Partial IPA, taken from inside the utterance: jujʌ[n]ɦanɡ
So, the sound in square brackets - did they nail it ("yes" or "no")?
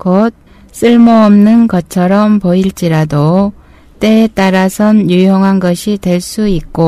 no